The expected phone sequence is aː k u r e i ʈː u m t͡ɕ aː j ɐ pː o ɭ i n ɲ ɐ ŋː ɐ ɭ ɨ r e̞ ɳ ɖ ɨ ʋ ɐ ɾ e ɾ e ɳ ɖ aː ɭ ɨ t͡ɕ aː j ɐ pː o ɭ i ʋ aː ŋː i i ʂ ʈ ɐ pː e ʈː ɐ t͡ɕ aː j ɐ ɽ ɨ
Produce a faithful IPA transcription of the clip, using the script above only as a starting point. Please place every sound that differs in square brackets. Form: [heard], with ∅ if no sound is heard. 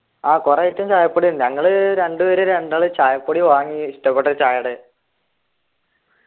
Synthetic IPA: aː k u r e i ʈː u m t͡ɕ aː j ɐ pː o [ɽ] i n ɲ ɐ ŋː ɐ ɭ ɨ [ɾ] e̞ ɳ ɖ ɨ ʋ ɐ ɾ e ɾ e ɳ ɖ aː ɭ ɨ t͡ɕ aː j ɐ pː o [ɽ] i ʋ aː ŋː i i ʂ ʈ ɐ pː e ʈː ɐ t͡ɕ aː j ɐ ɽ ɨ